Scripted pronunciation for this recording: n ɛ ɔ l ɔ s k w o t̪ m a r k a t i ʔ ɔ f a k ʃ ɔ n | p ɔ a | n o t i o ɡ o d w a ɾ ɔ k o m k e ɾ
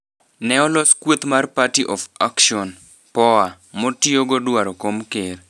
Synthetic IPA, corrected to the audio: n ɛ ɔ l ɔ s k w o t̪ m a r p a t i ʔ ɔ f a k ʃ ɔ n | p ɔ a | m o t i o ɡ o d w a ɾ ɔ k o m k e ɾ